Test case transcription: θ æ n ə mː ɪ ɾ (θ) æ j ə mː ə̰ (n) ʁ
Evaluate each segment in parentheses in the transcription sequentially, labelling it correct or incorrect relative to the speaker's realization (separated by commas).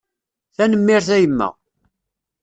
correct, incorrect